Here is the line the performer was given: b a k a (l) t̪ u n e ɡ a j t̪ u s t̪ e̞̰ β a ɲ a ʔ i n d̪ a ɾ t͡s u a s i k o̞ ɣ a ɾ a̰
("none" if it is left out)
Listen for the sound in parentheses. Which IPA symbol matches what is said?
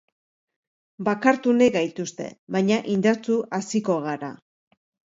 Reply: ɾ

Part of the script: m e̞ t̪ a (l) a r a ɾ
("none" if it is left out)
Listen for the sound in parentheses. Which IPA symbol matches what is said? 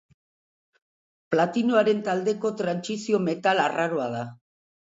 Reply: l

